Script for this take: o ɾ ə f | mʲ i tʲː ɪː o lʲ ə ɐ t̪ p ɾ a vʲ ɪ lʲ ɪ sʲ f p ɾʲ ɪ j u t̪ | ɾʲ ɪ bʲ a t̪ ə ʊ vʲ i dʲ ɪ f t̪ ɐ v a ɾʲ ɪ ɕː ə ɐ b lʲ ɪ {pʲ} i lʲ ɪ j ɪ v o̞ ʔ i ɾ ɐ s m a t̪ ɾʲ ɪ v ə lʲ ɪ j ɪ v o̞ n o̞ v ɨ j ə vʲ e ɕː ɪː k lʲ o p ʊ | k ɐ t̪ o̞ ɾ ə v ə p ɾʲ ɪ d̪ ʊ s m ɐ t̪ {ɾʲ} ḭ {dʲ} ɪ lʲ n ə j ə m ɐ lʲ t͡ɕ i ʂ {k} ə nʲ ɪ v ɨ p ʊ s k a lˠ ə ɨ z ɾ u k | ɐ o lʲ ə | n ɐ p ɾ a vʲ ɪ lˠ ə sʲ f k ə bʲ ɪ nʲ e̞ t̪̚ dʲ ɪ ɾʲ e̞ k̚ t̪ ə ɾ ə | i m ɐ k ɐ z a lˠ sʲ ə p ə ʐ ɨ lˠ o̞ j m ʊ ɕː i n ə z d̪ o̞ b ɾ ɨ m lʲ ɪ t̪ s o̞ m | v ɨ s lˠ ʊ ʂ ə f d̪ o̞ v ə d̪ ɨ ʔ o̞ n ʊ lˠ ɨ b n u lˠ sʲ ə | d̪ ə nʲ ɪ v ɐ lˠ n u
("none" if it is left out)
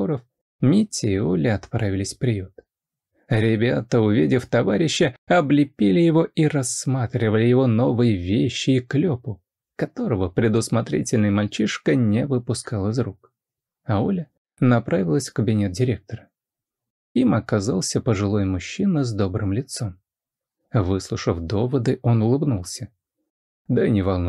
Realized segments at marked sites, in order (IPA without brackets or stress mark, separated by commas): pʲ, ɾʲ, tʲ, k